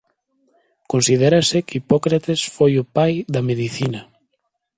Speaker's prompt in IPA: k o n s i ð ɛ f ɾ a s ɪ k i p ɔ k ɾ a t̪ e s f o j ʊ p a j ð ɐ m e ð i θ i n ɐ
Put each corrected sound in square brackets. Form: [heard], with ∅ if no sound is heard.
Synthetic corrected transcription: k o n s i ð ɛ [∅] ɾ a s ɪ k i p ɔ k ɾ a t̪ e s f o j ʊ p a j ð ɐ m e ð i θ i n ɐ

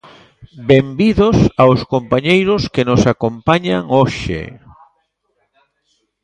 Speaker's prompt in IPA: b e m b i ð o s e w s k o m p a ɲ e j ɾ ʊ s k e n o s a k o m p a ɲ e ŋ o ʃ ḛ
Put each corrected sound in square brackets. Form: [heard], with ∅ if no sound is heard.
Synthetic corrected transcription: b e m b i ð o s [a] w s k o m p a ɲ e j ɾ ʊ s k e n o s a k o m p a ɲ [a] ŋ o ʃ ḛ

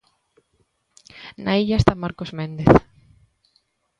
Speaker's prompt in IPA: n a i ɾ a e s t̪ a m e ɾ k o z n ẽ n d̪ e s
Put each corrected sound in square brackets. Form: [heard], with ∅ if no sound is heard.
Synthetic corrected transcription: n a i [ʎ] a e s t̪ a m [a] ɾ k o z [m] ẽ n d̪ e [θ]

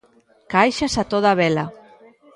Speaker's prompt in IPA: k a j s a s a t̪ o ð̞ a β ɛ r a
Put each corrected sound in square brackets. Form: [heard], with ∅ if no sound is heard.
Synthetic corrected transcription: k a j [ʃ] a s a t̪ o ð̞ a β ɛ [l] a

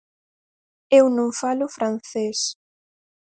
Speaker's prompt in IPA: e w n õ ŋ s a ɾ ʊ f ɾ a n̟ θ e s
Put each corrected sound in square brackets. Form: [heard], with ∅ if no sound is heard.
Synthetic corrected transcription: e w n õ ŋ [f] a [l] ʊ f ɾ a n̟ θ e s

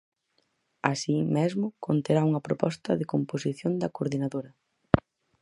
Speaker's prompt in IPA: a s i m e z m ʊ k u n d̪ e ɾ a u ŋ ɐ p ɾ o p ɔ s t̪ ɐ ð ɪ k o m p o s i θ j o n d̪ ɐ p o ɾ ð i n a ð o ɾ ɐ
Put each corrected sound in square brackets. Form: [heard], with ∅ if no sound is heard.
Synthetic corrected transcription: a s i m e z m ʊ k [o] n [t̪] e ɾ a u ŋ ɐ p ɾ o p ɔ s t̪ ɐ ð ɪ k o m p o s i θ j o n d̪ ɐ [k] o ɾ ð i n a ð o ɾ ɐ

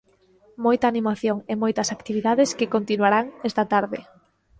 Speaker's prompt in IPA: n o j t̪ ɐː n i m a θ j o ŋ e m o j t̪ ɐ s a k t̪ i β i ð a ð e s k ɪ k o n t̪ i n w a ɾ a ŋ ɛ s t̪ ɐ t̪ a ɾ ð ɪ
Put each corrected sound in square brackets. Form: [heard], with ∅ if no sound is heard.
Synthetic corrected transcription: [m] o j t̪ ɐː n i m a θ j o ŋ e m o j t̪ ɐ s a k t̪ i β i ð a ð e s k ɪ k o n t̪ i n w a ɾ a ŋ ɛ s t̪ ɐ t̪ a ɾ ð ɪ

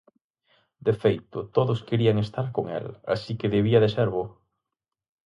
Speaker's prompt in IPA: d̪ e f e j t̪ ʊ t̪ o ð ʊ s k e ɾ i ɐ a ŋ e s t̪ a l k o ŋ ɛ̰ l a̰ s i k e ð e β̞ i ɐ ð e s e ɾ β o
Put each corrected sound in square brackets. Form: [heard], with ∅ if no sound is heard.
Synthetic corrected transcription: d̪ e f e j t̪ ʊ t̪ o ð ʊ s k e ɾ i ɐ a ŋ e s t̪ a [ɾ] k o ŋ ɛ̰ l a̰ s i k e ð e β̞ i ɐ ð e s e ɾ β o

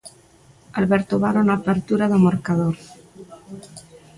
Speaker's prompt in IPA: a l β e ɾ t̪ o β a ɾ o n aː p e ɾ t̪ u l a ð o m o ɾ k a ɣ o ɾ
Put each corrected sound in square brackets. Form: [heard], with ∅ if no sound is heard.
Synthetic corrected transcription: a l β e ɾ t̪ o β a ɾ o n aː p e ɾ t̪ u [ɾ] a ð o m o ɾ k a [ð] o ɾ

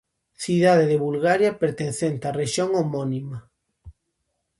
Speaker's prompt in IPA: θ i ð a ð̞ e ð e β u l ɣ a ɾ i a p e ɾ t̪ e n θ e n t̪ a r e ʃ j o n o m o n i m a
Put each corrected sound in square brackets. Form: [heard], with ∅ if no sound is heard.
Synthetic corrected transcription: θ i ð a ð̞ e ð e β u l ɣ a ɾ [j] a p e ɾ t̪ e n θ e n t̪ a r e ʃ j o [ŋ] o m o n i m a

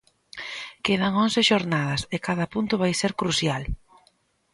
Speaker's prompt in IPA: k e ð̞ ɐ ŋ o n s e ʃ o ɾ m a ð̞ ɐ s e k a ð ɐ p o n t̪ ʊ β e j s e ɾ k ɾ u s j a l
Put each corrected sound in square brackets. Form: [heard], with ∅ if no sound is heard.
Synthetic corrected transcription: k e ð̞ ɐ ŋ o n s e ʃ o ɾ [n] a ð̞ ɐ s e k a ð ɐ p [u] n t̪ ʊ β [a] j s e ɾ k ɾ u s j a l

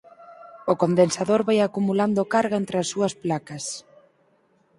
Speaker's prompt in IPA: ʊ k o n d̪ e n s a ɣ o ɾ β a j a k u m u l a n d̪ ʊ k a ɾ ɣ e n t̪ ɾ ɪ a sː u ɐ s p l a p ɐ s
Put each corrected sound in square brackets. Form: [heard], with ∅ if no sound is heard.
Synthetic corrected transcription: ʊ k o n d̪ e n s a [ð] o ɾ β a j a k u m u l a n d̪ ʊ k a ɾ ɣ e n t̪ ɾ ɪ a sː u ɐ s p l a [k] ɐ s

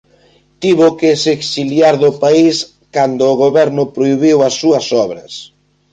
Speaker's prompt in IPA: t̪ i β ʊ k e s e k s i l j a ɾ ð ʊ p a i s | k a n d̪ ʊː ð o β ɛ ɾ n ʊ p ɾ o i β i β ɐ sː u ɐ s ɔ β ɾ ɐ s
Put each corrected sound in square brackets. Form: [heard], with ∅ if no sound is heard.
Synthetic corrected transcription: t̪ i β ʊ k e s e k s i l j a ɾ ð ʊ p a i s | k a n d̪ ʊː [ɣ] o β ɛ ɾ n ʊ p ɾ o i β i [w] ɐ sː u ɐ s ɔ β ɾ ɐ s

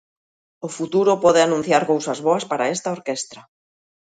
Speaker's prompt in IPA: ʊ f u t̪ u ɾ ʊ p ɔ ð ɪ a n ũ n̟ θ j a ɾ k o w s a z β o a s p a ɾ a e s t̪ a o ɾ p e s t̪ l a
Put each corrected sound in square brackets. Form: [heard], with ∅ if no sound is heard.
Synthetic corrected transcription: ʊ f u t̪ u ɾ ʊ p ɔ ð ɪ a n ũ n̟ θ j a ɾ k o w s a z β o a s p a ɾ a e s t̪ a o ɾ [k] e s t̪ [ɾ] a

